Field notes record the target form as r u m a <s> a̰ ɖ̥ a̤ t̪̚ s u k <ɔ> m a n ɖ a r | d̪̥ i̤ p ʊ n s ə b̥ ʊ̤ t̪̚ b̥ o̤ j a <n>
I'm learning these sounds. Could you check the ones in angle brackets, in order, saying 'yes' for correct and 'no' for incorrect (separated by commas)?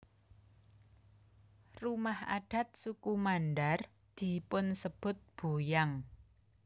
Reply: no, no, no